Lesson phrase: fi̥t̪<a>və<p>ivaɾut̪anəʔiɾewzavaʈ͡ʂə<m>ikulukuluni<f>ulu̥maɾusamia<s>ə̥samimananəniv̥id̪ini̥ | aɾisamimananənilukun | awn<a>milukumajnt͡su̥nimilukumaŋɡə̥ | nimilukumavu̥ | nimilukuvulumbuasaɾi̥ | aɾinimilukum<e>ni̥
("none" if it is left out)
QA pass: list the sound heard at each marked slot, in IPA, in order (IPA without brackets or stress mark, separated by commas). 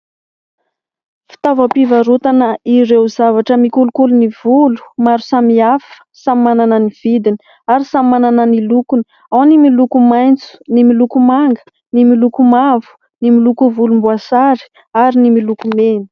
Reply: a, p, m, v, f, i, e